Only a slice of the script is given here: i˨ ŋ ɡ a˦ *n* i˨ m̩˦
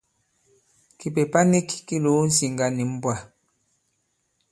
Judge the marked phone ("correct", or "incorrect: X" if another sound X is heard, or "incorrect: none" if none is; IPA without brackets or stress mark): correct